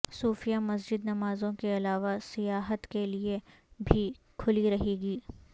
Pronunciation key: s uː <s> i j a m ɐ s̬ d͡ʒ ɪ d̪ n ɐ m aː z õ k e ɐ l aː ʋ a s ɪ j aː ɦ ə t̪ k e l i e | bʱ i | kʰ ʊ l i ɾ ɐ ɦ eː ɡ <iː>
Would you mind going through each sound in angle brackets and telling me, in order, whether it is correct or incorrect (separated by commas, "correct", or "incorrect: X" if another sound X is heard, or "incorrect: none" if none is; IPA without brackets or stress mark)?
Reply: incorrect: f, correct